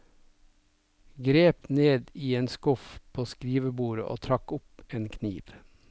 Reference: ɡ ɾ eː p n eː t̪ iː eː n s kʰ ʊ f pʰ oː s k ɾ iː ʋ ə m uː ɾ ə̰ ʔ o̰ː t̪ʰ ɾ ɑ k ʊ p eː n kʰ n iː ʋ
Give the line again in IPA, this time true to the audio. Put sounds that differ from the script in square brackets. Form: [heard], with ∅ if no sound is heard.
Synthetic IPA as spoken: ɡ ɾ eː p n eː [d̪] iː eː n s [k] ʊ f pʰ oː s k ɾ iː ʋ ə [b] uː ɾ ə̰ ʔ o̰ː t̪ʰ ɾ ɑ k ʊ p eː n kʰ n iː ʋ